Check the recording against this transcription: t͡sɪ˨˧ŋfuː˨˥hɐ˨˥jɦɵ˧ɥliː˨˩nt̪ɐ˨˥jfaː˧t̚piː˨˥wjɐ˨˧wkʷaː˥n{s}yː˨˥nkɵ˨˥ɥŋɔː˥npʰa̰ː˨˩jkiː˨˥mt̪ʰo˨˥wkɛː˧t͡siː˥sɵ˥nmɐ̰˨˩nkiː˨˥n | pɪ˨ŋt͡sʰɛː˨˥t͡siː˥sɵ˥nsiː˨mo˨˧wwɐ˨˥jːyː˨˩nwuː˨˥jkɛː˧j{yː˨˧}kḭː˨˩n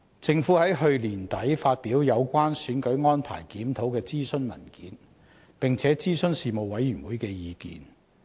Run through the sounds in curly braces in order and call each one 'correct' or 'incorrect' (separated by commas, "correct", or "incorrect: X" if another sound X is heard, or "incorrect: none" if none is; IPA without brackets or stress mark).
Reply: correct, incorrect: iː˨˧